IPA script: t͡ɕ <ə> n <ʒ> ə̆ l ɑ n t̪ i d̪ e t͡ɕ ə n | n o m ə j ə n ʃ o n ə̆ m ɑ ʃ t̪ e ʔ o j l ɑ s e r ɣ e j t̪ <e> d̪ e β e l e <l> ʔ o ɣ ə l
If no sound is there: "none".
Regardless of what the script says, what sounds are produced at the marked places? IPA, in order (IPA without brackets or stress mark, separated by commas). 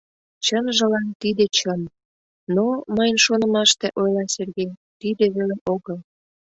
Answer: ə, ʒ, i, none